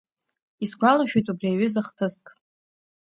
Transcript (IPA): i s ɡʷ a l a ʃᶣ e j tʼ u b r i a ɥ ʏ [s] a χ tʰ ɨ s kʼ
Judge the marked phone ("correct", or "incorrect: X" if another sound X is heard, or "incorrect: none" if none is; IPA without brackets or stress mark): incorrect: z